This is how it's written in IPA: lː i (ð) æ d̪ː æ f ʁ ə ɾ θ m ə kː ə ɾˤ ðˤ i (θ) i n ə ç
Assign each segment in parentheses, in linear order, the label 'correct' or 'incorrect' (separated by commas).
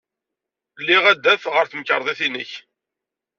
incorrect, correct